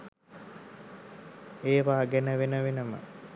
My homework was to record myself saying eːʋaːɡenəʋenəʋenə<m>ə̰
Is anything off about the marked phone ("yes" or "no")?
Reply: no